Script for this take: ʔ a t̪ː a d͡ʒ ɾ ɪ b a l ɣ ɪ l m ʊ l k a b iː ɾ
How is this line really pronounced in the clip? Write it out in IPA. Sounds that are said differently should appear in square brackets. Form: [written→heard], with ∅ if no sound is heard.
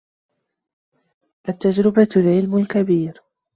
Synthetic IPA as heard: ʔ a t̪ː a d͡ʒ ɾ ɪ b a l [ɣ→ʕ] ɪ l m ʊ l k a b iː ɾ